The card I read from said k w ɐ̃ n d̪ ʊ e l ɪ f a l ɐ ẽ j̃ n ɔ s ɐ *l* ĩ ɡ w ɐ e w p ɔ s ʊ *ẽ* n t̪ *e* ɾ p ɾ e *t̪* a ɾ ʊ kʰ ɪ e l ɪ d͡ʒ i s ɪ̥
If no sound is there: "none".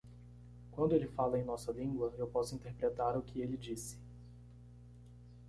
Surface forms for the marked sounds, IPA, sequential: l, ĩ, e, t̪

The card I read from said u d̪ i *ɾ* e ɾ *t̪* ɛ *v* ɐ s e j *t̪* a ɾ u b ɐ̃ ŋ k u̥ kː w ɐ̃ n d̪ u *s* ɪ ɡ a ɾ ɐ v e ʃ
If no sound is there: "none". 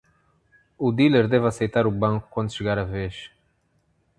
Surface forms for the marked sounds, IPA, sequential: l, d̪, v, t̪, ʃ

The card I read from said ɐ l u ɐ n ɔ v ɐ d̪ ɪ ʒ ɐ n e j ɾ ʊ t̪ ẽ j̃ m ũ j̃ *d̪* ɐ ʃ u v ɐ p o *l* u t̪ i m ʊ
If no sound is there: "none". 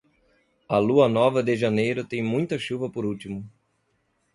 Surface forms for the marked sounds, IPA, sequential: t̪, ɾ

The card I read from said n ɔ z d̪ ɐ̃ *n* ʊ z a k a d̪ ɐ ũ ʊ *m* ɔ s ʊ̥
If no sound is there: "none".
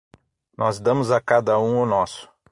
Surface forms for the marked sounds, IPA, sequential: m, n

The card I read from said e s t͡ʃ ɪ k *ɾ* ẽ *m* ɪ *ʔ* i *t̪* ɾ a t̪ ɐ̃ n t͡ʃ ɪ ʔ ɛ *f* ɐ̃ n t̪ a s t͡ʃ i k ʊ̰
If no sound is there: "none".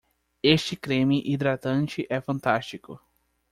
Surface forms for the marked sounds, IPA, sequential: ɾ, m, ʔ, d̪, f

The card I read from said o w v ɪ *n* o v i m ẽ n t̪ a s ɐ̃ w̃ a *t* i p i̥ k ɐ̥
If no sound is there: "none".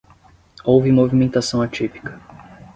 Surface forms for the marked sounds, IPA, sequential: m, t͡ʃ

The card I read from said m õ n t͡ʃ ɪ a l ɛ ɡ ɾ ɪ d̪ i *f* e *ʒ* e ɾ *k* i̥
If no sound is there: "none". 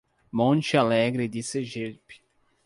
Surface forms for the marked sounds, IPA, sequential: s, ʒ, p

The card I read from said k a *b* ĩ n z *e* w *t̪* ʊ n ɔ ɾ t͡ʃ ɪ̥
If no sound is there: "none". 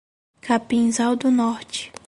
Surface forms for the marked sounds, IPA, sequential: p, a, d̪

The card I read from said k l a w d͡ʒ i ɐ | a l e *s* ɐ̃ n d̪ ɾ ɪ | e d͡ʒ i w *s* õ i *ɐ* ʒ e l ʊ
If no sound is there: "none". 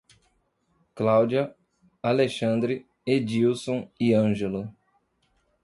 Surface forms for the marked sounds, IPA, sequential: ʃ, s, ɐ̃

